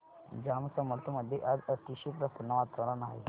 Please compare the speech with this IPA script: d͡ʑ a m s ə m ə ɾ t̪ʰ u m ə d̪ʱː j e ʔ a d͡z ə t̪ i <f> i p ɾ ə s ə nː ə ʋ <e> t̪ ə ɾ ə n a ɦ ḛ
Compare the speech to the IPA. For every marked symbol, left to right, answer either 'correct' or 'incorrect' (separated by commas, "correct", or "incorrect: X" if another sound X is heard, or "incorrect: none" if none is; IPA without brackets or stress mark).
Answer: incorrect: ɕ, incorrect: a